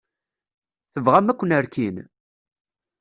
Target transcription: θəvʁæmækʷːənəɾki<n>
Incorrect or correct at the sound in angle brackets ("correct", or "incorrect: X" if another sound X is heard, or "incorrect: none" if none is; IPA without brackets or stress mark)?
correct